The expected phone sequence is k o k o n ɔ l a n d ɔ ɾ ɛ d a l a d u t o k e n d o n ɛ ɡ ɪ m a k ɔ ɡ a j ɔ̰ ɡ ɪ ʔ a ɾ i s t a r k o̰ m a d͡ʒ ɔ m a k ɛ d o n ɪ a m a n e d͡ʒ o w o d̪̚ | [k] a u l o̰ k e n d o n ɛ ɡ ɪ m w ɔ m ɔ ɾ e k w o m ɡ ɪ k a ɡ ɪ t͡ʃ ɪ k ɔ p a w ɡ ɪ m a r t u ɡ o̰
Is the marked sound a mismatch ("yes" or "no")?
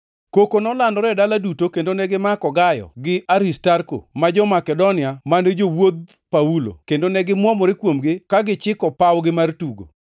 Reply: yes